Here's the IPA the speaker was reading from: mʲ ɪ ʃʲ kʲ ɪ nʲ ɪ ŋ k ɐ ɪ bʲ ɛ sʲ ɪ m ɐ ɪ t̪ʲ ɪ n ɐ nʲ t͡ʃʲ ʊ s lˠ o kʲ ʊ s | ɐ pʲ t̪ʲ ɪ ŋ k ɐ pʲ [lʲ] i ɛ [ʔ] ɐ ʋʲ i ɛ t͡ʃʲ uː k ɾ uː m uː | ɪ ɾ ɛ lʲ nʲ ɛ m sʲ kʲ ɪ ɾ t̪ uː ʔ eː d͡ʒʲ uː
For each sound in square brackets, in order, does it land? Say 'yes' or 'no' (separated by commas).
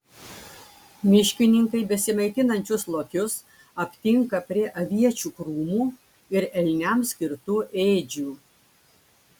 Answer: no, yes